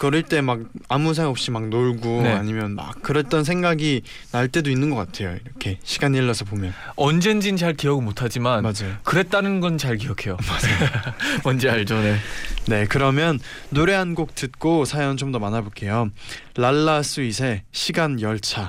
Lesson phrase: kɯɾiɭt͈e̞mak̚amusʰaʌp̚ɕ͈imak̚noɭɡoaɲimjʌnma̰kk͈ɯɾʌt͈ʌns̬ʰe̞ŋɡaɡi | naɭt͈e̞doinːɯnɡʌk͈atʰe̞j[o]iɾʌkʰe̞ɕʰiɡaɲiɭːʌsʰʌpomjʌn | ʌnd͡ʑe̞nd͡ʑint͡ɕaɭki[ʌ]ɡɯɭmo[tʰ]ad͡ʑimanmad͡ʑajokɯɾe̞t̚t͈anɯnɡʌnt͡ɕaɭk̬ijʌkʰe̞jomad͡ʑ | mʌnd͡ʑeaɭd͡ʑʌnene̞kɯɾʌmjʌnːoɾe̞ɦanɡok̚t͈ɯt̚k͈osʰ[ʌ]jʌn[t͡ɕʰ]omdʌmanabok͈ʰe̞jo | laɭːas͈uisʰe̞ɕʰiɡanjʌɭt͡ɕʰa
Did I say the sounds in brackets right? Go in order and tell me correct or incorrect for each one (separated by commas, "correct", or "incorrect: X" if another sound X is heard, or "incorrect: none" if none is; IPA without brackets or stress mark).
correct, correct, correct, incorrect: a, incorrect: t͡ɕ